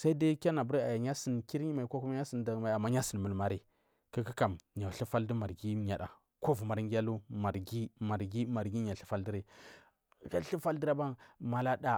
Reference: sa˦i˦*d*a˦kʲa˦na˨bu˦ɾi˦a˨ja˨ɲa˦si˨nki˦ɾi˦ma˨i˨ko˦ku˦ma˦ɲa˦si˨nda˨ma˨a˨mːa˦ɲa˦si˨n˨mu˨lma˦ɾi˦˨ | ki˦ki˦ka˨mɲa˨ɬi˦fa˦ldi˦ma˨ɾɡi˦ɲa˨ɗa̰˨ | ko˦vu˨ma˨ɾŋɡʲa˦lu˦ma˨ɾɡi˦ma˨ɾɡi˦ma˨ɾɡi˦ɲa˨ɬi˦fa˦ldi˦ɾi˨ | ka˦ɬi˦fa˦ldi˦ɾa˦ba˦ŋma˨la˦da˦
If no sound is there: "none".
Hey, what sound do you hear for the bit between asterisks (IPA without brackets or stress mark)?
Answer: d